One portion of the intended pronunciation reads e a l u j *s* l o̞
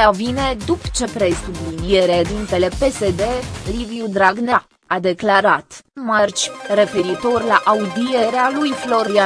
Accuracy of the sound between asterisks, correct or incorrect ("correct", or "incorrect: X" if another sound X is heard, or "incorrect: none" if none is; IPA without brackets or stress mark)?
incorrect: f